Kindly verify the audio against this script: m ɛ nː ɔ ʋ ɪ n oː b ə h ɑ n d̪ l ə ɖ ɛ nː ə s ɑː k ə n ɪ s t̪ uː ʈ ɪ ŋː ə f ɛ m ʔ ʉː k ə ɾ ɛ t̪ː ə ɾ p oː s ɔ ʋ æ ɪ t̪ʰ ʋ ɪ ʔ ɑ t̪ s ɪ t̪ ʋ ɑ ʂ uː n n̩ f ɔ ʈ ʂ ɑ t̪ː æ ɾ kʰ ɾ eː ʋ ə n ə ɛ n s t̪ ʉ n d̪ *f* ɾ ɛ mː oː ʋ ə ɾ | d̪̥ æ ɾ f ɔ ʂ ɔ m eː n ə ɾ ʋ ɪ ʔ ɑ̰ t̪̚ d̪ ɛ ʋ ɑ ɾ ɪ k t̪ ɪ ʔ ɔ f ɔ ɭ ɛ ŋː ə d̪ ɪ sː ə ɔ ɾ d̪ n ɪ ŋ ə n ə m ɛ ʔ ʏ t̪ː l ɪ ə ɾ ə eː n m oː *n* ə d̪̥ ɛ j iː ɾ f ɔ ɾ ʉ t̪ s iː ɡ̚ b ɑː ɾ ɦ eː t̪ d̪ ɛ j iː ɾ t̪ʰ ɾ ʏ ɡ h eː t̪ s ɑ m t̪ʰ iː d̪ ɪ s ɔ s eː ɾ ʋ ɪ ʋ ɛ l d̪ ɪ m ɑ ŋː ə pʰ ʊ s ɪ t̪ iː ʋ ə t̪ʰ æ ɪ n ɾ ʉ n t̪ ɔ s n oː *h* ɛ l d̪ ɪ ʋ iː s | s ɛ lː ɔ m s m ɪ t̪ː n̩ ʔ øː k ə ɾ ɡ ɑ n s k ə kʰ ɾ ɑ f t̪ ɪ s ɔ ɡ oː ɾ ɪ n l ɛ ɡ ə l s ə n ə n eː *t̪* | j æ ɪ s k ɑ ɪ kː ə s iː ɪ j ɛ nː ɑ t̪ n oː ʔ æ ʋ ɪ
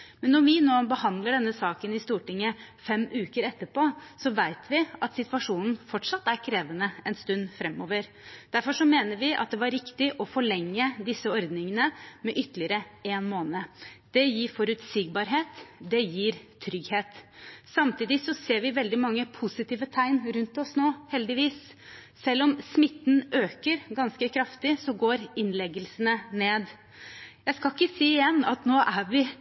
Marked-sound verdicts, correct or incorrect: correct, correct, correct, incorrect

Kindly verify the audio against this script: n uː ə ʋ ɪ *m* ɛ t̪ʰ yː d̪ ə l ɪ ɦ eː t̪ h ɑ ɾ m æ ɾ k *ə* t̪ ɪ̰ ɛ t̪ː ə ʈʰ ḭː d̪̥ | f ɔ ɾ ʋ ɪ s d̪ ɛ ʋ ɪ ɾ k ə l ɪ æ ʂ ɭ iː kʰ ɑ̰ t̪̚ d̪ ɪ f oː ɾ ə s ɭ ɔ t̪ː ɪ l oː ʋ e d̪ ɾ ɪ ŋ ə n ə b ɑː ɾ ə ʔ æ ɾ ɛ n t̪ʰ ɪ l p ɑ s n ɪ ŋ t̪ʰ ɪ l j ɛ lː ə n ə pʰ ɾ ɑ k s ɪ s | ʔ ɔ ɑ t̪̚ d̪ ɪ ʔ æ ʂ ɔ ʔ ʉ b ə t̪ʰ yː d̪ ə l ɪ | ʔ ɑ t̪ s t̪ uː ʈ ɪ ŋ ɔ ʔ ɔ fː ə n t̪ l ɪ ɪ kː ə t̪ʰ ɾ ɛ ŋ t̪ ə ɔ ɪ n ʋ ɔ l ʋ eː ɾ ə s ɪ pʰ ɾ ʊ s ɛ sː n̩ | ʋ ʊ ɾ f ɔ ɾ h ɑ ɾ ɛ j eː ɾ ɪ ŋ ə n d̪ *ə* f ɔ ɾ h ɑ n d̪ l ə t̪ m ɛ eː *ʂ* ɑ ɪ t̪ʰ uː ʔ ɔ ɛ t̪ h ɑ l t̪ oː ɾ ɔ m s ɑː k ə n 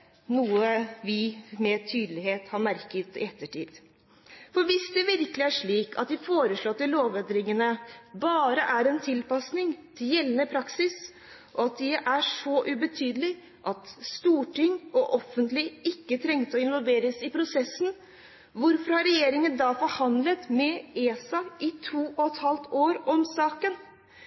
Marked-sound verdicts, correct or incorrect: correct, correct, incorrect, incorrect

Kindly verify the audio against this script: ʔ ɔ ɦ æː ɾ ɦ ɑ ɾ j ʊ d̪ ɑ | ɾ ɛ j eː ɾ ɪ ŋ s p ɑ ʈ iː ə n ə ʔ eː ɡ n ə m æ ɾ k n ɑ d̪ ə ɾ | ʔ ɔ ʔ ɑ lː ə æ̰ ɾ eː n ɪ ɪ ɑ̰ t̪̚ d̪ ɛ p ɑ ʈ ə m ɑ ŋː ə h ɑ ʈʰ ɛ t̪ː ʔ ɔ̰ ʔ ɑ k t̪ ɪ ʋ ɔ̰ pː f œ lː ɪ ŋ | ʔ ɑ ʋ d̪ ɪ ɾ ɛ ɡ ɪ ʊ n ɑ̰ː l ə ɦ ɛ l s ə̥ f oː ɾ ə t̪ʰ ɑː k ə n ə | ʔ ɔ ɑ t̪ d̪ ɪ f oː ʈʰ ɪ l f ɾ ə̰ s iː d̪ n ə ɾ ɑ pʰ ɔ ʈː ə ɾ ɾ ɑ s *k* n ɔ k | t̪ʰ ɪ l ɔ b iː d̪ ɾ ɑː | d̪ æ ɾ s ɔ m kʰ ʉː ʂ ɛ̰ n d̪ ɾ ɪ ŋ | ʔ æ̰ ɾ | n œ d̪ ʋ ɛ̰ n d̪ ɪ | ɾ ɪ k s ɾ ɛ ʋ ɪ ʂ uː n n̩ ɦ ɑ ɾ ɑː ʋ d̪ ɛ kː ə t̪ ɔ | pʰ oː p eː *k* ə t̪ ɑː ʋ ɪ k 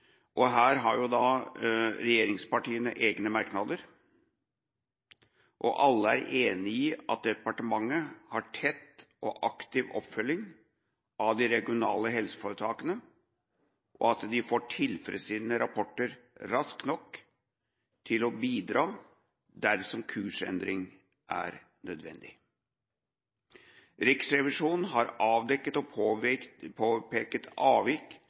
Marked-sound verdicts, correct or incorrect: correct, correct

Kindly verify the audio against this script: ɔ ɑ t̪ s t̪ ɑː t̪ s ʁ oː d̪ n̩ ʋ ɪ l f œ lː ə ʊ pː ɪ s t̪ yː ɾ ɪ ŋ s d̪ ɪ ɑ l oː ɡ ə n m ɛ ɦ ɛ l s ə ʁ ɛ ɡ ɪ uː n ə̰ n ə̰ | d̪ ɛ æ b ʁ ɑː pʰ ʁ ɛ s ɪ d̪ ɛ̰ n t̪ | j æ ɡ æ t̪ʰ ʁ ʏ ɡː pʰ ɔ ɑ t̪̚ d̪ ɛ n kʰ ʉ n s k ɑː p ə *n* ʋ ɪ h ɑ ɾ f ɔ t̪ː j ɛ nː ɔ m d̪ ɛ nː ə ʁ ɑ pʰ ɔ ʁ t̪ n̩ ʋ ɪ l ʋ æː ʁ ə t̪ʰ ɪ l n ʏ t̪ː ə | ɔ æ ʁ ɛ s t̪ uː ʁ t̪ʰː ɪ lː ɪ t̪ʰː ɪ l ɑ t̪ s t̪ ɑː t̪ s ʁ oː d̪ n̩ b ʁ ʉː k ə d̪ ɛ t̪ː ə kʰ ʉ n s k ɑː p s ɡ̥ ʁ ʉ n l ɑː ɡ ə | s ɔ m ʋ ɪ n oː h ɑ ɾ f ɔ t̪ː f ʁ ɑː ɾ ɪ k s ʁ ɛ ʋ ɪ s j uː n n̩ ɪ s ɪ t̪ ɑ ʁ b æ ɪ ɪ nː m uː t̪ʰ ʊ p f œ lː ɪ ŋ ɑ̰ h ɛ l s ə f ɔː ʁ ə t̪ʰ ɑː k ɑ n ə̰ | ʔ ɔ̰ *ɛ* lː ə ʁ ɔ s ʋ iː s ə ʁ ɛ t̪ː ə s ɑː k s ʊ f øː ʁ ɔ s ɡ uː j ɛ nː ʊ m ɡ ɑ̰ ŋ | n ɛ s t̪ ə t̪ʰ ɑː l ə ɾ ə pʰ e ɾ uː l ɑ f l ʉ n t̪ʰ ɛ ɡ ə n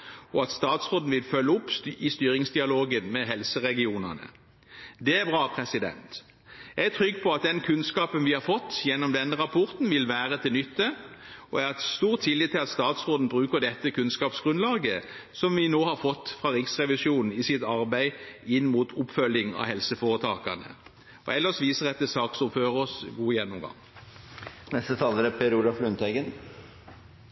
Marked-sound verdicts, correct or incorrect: correct, correct

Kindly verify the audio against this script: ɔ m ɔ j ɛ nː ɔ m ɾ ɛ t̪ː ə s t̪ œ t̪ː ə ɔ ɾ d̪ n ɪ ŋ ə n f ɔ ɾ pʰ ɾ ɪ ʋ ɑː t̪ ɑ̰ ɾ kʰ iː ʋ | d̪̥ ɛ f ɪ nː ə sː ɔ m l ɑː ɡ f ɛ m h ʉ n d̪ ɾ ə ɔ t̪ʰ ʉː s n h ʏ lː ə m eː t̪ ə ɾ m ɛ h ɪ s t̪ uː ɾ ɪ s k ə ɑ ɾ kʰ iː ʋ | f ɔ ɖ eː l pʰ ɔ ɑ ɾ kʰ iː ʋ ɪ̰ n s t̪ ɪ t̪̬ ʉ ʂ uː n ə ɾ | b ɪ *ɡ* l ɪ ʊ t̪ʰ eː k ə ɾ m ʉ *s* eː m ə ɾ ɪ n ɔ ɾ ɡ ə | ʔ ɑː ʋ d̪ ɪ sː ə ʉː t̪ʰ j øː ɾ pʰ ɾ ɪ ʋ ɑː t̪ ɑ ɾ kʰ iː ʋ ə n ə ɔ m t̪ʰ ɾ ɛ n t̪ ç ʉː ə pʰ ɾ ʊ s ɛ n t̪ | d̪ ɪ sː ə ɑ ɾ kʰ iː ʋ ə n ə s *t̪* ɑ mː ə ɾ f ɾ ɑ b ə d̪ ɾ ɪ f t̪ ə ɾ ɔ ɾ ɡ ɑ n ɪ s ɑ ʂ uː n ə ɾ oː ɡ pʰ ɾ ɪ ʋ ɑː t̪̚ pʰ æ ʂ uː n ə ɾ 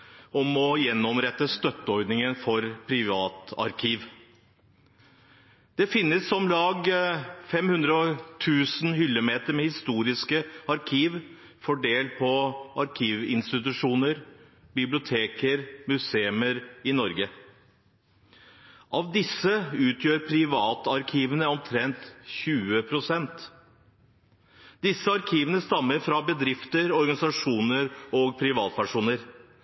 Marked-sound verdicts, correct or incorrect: incorrect, correct, correct

